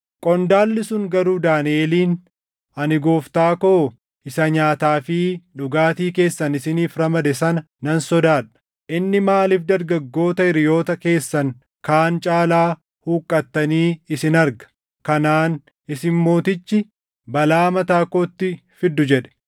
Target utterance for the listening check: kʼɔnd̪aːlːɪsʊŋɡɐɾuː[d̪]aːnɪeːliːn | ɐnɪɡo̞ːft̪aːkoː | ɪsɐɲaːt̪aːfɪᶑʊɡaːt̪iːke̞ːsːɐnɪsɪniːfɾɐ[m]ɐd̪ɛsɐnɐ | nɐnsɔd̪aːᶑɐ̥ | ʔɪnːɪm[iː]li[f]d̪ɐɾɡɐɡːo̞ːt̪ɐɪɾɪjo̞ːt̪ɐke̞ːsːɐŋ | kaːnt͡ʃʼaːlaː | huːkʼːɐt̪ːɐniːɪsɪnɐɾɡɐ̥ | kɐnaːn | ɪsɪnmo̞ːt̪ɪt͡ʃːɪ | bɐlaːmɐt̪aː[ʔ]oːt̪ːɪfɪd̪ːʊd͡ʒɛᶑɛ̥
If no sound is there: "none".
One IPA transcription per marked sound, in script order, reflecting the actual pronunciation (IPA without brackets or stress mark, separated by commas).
d̪, m, aː, f, k